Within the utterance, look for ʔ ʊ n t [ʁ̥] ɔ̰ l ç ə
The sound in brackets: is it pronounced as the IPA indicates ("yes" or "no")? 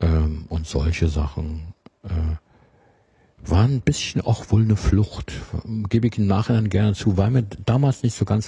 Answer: no